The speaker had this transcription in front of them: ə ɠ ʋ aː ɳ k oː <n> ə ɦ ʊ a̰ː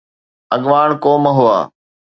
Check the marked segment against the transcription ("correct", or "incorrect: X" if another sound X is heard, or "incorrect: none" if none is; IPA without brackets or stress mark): incorrect: m